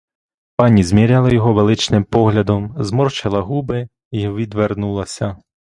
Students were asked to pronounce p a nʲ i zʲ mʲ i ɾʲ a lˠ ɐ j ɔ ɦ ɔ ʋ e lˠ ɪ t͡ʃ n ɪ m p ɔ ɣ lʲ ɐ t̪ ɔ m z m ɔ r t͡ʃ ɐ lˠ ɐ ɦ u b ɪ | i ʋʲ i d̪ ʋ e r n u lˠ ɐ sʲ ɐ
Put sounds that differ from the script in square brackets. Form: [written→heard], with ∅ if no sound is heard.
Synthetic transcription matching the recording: p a nʲ i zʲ mʲ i ɾʲ a lˠ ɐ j ɔ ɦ ɔ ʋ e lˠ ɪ t͡ʃ n ɪ m p ɔ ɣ lʲ ɐ [t̪→d̪] ɔ m z m ɔ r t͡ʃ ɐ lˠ ɐ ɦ u b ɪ | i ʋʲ i d̪ ʋ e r n u lˠ ɐ sʲ ɐ